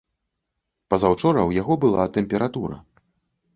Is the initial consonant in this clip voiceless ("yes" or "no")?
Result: yes